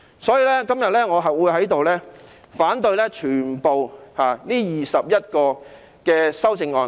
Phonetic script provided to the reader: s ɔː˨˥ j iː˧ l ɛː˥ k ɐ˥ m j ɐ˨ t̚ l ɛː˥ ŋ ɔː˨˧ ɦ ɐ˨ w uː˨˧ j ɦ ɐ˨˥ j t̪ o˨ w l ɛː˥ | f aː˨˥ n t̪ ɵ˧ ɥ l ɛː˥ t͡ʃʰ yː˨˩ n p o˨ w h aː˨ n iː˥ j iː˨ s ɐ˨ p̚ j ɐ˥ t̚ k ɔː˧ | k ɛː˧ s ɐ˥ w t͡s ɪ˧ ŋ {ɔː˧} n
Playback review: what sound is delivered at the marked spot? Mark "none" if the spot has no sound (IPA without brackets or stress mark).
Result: ɔː˧